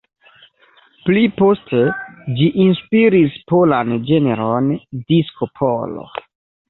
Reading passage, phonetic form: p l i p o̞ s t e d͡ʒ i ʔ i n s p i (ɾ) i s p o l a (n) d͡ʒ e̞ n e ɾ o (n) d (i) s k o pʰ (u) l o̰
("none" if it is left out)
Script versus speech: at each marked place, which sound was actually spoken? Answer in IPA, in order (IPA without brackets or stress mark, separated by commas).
ɾ, n, n, i, o